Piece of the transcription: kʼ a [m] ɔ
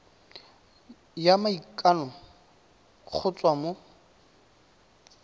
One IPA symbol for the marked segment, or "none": n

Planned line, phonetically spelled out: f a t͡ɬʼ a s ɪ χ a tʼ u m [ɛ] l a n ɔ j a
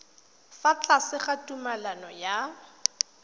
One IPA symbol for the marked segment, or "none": a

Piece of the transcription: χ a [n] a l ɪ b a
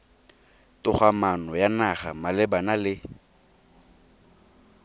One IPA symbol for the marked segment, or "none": m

